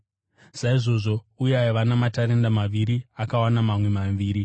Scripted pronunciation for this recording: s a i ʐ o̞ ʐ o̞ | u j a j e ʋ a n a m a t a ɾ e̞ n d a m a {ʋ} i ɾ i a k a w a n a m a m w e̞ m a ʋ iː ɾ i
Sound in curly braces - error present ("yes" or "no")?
no